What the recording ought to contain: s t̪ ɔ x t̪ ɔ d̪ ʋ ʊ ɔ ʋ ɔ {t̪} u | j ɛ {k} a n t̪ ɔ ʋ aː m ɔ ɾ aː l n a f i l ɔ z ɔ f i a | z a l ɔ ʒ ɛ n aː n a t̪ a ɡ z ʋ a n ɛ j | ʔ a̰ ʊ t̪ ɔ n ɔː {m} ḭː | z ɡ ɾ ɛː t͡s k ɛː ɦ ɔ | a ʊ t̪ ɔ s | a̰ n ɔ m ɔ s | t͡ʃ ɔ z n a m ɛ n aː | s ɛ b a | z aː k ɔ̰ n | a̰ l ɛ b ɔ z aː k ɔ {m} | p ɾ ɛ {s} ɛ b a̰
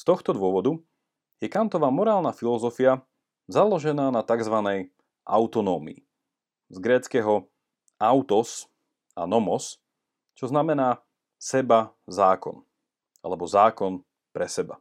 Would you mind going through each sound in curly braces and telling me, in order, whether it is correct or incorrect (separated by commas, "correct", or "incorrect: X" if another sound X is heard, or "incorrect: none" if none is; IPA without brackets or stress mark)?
incorrect: d̪, correct, correct, incorrect: n, correct